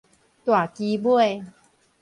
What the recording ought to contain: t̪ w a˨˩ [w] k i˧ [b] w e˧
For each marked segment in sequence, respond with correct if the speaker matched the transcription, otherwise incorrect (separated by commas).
incorrect, correct